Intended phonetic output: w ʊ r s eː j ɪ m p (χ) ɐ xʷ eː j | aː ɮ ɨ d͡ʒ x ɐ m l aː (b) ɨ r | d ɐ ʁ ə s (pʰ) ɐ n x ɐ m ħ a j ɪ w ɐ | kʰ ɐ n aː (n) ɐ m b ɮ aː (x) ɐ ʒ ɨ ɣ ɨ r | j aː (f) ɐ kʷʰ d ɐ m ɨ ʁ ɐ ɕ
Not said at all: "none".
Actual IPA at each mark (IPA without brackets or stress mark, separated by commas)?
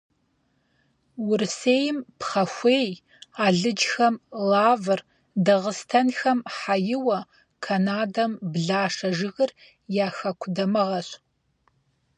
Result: χ, v, tʰ, d, ʂ, x